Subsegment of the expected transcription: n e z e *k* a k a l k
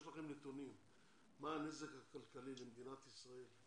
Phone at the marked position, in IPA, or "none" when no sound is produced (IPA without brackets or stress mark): k